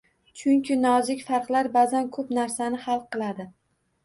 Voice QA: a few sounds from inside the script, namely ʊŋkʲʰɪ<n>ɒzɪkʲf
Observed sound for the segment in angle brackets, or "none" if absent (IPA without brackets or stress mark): n